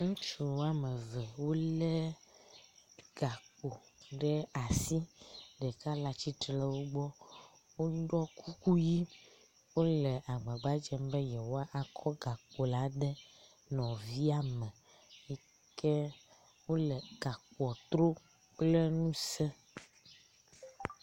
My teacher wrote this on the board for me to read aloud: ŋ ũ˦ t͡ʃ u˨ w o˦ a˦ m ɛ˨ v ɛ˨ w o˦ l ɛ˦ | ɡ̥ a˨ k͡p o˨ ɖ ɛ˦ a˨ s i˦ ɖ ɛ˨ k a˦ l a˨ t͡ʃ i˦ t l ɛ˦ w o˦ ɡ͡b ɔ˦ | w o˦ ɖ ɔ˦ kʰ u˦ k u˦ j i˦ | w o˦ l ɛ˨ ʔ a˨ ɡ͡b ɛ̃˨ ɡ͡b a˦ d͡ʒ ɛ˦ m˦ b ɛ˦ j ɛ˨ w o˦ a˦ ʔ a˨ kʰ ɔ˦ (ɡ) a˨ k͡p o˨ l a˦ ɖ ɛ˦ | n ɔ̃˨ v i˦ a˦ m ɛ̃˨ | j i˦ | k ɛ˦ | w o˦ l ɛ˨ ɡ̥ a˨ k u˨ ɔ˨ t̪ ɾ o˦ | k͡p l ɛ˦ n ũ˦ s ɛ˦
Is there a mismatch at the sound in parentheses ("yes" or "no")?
no